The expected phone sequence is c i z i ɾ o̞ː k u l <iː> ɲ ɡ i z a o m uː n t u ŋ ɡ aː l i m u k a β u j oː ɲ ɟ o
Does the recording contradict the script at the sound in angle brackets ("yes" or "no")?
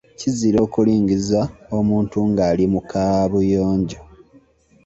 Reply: no